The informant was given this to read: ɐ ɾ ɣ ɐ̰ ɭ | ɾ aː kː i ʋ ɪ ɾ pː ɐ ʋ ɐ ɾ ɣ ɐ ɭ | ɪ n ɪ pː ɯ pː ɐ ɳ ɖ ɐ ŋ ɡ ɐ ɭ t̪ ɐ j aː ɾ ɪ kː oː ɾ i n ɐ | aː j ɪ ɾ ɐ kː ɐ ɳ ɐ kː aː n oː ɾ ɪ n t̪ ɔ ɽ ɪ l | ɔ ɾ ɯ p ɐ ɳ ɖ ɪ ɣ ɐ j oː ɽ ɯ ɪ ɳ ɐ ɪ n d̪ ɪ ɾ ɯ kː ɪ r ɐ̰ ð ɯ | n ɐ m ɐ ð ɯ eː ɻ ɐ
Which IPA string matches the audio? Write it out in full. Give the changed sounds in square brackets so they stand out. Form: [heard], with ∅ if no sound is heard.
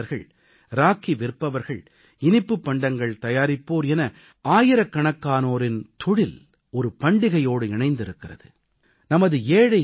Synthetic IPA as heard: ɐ ɾ ɣ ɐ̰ ɭ | ɾ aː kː i ʋ ɪ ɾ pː ɐ ʋ ɐ ɾ ɣ ɐ ɭ | ɪ n ɪ pː ɯ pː ɐ ɳ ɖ ɐ ŋ ɡ ɐ ɭ t̪ ɐ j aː ɾ ɪ [pː] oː ɾ [ɛ] n ɐ | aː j ɪ ɾ ɐ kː ɐ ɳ ɐ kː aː n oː ɾ ɪ n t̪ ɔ ɽ ɪ l | ɔ ɾ ɯ p ɐ ɳ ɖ ɪ ɣ ɐ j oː ɽ ɯ ɪ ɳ ɐ ɪ n d̪ ɪ ɾ ɯ kː ɪ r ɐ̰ ð ɯ | n ɐ m ɐ ð ɯ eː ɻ ɐ